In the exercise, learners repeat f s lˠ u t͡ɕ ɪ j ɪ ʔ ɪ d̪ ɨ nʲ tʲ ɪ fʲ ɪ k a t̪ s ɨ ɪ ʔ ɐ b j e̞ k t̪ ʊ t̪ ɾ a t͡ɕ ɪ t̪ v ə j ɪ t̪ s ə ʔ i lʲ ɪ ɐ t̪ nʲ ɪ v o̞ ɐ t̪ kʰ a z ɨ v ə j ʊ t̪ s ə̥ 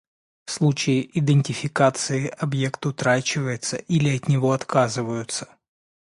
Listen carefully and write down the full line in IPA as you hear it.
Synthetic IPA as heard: f s lˠ u t͡ɕ ɪ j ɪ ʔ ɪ d̪ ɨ nʲ tʲ ɪ fʲ ɪ k a t̪ s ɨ ɪ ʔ ɐ b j e̞ k t̪ ʊ t̪ ɾ a t͡ɕ ɪ v ə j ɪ t̪ s ə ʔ i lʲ ɪ ɐ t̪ nʲ ɪ v o̞ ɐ t̪ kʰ a z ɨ v ə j ʊ t̪ s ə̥